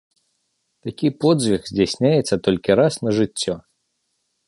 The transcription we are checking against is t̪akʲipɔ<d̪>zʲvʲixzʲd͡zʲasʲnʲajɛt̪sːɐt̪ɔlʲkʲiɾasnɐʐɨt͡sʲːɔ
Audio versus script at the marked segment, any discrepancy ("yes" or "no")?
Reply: no